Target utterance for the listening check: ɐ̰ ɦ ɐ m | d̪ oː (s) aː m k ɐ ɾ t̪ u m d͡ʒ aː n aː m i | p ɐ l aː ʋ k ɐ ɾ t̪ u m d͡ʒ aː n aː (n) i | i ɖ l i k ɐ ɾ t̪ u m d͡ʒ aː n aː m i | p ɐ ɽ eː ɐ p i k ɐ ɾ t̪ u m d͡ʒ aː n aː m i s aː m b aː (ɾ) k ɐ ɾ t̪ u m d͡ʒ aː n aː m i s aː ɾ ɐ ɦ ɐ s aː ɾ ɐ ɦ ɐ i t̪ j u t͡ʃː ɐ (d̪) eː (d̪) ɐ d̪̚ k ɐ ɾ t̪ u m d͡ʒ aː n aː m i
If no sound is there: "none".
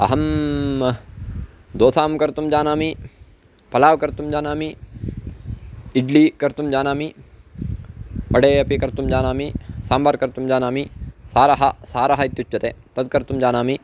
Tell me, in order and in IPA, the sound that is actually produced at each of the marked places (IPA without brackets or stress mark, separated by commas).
s, m, ɾ, t̪, t̪